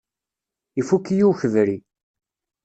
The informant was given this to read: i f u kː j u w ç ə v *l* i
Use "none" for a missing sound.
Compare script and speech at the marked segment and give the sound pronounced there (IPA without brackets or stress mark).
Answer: ɾ